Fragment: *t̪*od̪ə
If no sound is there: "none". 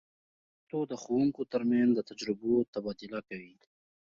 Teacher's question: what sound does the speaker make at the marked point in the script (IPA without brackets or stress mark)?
t̪